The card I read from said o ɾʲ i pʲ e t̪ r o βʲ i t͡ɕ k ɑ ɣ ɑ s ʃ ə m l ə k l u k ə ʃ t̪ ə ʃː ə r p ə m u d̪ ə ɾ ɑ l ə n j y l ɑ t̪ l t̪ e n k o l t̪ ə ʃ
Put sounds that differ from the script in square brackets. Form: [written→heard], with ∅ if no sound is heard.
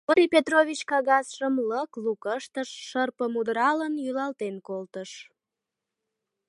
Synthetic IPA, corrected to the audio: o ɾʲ i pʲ e t̪ r o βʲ i t͡ɕ k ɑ ɣ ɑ s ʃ ə m l ə k l u k ə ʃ t̪ ə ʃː ə r p ə m u d̪ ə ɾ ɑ l ə n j y l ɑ [t̪→∅] l t̪ e n k o l t̪ ə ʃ